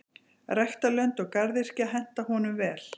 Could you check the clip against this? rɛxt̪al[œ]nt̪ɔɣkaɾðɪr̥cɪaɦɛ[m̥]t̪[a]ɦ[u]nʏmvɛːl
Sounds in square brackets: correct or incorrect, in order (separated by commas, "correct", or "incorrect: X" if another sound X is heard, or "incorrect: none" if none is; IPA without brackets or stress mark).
correct, incorrect: n̥, correct, incorrect: ɔ